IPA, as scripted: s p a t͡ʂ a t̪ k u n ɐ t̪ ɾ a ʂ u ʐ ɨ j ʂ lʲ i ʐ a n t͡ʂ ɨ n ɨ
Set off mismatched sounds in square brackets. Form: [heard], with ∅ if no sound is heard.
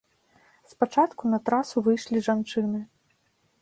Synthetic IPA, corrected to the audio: s p a t͡ʂ a t̪ k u n ɐ t̪ ɾ a [s] u [v] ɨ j ʂ lʲ i ʐ a n t͡ʂ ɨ n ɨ